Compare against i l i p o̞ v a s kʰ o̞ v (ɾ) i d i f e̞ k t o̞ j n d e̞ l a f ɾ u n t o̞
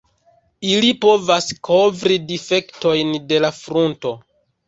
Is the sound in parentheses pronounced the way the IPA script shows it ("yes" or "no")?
yes